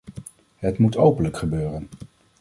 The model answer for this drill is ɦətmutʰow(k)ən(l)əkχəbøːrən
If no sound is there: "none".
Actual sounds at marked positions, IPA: p, l

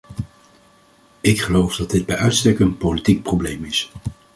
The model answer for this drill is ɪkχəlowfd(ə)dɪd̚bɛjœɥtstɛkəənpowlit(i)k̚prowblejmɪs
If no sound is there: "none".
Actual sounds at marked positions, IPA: ɑ, i

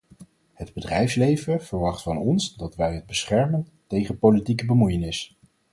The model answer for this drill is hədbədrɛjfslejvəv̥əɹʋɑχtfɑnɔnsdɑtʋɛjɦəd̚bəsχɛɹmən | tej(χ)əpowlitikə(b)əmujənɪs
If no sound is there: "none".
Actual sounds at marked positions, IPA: χ, b

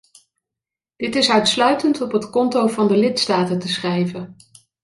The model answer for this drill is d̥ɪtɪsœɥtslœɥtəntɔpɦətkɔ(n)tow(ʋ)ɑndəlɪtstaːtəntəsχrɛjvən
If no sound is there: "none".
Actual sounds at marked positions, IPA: n, v

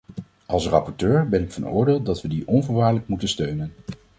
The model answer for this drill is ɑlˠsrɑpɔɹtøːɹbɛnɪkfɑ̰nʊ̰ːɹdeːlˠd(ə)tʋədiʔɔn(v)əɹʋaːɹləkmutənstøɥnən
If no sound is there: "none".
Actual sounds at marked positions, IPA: ɑ, v

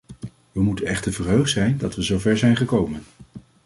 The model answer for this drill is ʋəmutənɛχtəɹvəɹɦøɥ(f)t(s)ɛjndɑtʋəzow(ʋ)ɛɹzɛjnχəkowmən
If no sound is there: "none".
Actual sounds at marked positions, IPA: χ, s, v

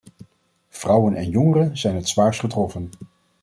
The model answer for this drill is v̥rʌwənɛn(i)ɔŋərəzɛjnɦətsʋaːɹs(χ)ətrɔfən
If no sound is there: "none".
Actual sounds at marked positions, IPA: j, χ

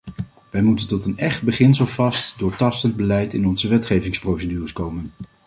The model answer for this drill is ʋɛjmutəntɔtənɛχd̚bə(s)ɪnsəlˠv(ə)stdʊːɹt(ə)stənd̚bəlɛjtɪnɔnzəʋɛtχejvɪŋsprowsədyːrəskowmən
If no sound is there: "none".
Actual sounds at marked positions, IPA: χ, ɑ, ɑ

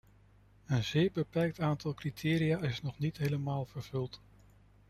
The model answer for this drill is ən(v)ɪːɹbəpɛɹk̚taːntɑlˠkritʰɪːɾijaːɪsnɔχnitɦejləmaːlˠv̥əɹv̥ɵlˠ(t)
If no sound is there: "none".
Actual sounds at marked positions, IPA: z, t

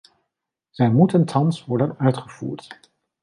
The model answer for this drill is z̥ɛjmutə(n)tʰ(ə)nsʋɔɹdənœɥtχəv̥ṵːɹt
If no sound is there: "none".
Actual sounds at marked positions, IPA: n, ɑ

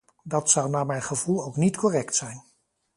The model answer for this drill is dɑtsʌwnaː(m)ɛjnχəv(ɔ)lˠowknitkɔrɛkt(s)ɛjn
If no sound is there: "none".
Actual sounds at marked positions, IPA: m, u, s

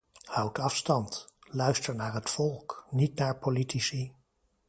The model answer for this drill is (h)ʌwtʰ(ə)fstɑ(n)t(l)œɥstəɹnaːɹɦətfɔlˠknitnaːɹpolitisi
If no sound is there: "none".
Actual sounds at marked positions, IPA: h, ɑ, n, l

